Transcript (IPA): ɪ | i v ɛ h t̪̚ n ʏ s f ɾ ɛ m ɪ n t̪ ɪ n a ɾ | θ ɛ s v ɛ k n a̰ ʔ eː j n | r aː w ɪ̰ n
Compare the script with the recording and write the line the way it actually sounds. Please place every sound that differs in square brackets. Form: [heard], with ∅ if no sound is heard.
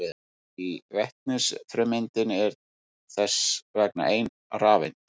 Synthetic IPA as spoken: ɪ | i v ɛ h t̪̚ n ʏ s f ɾ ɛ m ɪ n t̪ ɪ n [ɛ] ɾ | θ ɛ s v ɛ k n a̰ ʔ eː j n | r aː [v] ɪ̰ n